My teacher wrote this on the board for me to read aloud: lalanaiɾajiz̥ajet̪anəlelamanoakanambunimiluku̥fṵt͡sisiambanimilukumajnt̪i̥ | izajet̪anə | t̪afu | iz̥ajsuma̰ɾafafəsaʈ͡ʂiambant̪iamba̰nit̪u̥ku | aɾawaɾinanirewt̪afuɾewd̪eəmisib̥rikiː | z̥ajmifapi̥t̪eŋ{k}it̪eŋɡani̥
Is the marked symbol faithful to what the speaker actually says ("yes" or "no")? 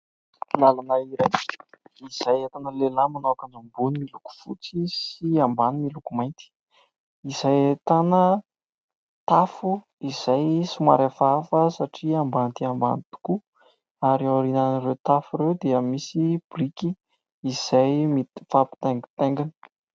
no